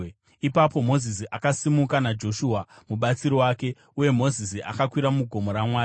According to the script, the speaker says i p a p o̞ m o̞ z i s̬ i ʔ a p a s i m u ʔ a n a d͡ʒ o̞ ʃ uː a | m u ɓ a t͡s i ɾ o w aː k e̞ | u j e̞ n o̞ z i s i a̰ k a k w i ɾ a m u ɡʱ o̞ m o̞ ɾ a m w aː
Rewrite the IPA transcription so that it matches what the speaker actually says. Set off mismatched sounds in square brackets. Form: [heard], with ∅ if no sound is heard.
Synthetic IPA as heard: i p a p o̞ m o̞ z i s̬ i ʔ a [k] a s i m u [k] a n a d͡ʒ o̞ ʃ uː a | m u ɓ a t͡s i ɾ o w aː k e̞ | u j e̞ [m] o̞ z i s i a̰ k a k w i ɾ a m u ɡʱ o̞ m o̞ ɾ a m w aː